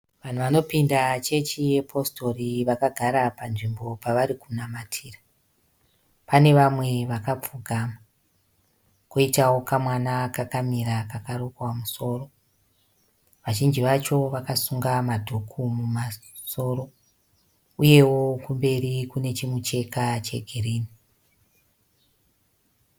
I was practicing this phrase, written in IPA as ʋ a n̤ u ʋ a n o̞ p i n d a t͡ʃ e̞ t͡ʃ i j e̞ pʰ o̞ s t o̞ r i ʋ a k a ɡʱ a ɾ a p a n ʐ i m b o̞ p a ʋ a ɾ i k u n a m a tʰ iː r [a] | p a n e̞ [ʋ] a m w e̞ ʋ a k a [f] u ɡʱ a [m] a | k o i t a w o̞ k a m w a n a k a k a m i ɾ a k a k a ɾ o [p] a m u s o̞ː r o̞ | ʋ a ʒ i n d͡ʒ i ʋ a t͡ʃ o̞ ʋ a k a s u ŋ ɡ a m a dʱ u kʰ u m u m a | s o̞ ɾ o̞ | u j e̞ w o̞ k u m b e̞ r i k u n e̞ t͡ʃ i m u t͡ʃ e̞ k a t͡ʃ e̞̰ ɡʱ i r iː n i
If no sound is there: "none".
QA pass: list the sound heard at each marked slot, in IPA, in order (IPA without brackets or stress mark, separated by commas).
a, ʋ, p͡f, m, k